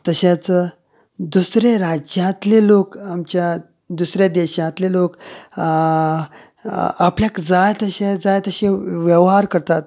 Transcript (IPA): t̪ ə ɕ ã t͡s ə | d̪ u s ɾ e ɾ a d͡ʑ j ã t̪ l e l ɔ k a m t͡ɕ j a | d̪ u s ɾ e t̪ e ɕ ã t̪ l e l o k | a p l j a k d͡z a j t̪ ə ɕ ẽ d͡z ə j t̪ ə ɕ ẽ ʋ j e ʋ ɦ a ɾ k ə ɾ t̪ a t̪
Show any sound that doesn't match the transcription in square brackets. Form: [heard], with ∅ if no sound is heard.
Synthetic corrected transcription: t̪ ə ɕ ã t͡s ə | d̪ u s ɾ e ɾ a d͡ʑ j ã t̪ l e l [o] k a m t͡ɕ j a | d̪ u s ɾ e [d̪] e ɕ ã t̪ l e l o k | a p l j a k d͡z a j t̪ ə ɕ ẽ d͡z [a] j t̪ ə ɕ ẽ ʋ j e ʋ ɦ a ɾ k ə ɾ t̪ a t̪